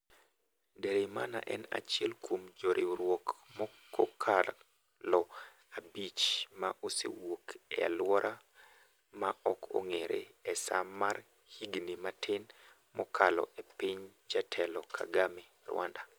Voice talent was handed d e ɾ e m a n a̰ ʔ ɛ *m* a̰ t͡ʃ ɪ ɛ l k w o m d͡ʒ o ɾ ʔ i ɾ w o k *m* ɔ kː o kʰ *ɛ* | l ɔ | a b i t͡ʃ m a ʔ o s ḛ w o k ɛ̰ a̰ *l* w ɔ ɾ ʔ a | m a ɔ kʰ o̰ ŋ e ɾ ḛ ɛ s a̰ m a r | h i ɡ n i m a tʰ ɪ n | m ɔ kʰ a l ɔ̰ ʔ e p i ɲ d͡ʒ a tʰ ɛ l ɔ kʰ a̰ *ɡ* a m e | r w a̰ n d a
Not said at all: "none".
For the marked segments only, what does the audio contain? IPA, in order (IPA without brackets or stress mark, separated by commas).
n, m, a, l, ɡ